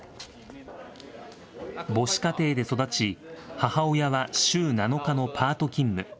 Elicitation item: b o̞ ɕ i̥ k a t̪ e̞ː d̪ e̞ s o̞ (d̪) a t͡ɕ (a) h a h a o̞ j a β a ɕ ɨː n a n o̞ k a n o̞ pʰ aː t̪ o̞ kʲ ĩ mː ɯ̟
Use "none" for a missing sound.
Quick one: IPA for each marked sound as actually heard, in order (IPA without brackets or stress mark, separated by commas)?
d̪, i